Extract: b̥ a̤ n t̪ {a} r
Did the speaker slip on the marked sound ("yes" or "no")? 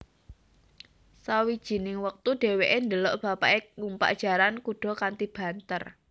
yes